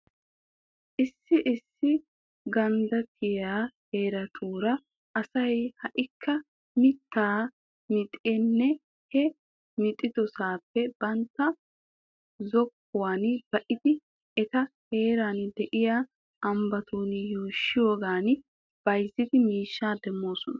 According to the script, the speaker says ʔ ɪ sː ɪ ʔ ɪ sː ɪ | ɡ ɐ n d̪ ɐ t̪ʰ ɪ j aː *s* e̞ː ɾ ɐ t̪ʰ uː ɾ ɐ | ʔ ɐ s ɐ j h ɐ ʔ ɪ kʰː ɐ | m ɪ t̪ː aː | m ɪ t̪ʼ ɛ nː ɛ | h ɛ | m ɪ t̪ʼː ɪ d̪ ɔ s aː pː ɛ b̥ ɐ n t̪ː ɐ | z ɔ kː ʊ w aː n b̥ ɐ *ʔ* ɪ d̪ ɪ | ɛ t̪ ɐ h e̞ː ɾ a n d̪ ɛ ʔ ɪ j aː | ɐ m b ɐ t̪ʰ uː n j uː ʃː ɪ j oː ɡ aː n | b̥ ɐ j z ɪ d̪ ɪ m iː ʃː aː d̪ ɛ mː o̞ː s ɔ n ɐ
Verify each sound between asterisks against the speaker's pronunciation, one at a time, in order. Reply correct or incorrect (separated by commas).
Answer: incorrect, correct